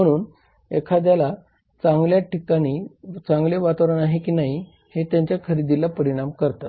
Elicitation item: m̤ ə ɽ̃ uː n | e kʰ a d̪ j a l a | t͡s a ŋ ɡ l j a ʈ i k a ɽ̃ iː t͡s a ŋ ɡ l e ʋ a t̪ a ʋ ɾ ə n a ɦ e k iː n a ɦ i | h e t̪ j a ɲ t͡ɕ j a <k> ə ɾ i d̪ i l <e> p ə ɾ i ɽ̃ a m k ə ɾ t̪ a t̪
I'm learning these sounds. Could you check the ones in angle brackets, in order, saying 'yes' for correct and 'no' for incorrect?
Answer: no, no

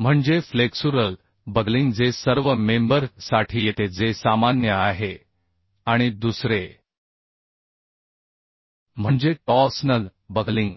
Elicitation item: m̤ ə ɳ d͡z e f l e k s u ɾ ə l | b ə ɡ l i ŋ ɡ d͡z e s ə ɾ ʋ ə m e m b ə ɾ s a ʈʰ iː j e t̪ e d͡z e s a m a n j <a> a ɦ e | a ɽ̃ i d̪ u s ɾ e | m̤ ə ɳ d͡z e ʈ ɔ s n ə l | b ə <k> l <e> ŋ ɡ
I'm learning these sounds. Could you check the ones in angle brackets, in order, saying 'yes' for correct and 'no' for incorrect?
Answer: no, no, no

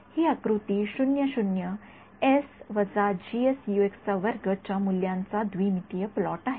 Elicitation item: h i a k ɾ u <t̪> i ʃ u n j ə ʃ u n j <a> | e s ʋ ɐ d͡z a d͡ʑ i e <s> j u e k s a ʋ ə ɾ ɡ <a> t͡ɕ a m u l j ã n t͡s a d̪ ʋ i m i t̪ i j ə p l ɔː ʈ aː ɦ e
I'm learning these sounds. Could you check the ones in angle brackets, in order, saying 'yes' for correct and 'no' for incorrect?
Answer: yes, no, yes, no

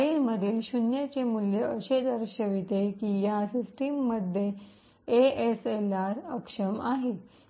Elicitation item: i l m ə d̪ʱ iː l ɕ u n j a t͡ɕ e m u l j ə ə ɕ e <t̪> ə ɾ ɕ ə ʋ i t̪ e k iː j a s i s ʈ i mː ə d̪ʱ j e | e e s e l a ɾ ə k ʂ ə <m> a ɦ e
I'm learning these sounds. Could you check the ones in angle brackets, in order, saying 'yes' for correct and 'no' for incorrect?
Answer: no, yes

